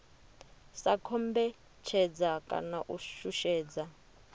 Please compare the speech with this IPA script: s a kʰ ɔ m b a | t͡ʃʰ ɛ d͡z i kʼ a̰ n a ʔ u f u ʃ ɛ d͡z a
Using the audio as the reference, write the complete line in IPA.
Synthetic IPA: s a kʰ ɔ m b ɛ | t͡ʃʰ ɛ d͡z a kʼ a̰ n a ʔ u ʃ u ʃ ɛː d͡z a